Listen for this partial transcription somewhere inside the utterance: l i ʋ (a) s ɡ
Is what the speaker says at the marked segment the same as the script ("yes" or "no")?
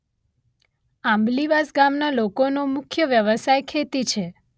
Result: yes